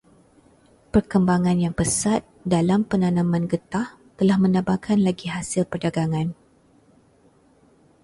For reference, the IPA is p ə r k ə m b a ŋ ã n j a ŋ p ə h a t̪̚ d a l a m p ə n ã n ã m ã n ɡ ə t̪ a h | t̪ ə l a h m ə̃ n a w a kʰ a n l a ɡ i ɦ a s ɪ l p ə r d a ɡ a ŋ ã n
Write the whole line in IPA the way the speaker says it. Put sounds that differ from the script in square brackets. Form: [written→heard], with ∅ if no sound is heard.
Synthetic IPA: p ə r k ə m b a ŋ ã n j a ŋ p ə [h→s] a t̪̚ d a l a m p ə n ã n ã m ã n ɡ ə t̪ a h | t̪ ə l a h m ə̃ n a [w→b] a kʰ a n l a ɡ i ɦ a s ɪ l p ə r d a ɡ a ŋ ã n